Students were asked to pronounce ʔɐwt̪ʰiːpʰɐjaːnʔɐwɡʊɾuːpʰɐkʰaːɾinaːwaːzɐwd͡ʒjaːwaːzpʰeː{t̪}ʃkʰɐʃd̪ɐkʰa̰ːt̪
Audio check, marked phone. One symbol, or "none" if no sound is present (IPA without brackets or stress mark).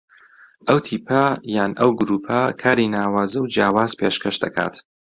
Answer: none